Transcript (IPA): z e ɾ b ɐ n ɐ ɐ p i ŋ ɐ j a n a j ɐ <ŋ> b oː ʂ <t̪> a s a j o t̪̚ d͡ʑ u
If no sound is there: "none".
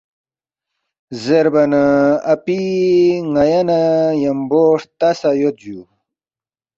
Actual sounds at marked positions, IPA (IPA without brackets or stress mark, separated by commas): m, t̪